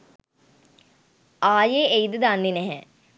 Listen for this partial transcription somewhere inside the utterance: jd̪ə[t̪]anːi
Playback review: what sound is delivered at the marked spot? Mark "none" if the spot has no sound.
d̪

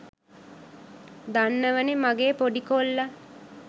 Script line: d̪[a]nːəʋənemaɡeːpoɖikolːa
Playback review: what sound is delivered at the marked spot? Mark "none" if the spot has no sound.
a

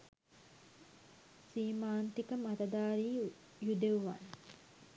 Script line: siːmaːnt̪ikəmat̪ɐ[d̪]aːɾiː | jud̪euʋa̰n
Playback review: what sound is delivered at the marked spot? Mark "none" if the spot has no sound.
d̪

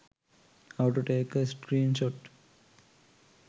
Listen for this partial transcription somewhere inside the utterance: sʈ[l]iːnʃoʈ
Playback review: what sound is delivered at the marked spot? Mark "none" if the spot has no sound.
ɾ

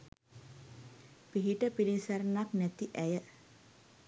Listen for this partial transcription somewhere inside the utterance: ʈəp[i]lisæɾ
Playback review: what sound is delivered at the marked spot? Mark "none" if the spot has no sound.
i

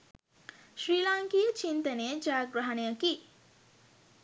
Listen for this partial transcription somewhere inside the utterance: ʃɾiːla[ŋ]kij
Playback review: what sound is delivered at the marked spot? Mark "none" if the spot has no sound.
ŋ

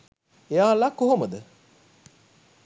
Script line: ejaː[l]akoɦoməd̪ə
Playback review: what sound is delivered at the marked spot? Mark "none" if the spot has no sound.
l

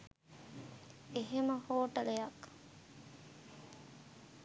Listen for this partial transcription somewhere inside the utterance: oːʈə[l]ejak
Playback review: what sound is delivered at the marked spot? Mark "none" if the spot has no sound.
l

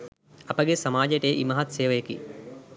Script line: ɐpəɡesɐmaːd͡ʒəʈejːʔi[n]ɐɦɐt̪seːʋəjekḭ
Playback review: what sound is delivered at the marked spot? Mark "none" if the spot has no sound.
m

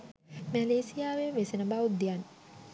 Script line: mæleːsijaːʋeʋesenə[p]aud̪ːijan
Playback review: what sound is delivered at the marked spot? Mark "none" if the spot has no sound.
b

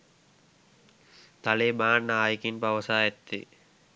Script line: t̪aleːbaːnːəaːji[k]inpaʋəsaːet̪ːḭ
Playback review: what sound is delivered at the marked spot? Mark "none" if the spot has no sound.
k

